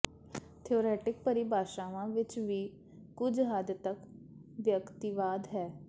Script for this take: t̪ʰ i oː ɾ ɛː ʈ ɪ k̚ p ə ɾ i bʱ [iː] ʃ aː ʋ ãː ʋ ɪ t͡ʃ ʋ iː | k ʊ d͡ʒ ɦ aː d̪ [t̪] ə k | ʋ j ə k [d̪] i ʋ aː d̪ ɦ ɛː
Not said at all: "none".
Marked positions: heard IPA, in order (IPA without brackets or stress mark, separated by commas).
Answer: aː, t̪, t̪